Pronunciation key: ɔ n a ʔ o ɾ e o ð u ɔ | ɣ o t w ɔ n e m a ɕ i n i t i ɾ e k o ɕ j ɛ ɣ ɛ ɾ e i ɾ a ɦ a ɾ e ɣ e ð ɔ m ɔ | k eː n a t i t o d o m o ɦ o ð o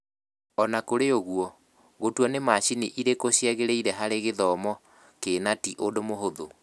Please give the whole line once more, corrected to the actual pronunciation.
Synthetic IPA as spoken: ɔ n a k o ɾ e o ɣ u ɔ | ɣ o t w ɔ n e m a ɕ i n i ʔ i ɾ e k o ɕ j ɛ ɣ e ɾ e i ɾ ɛ ɦ a ɾ e ɣ e ð ɔ m ɔ | k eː n a t i ʔ o d o m o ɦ o ð o